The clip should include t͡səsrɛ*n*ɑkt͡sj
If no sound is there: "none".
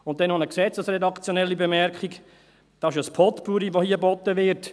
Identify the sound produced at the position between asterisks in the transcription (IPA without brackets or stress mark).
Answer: d